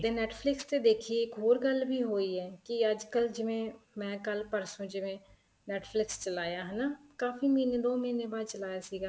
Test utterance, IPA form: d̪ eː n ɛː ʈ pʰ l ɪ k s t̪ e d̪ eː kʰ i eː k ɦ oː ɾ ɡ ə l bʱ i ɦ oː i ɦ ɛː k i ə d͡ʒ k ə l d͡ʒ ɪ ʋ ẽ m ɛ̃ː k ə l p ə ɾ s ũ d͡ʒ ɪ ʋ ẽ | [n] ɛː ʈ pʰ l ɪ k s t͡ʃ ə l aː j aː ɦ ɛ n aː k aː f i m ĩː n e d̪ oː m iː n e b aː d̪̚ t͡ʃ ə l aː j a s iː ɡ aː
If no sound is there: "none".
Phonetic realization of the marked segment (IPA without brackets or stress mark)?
n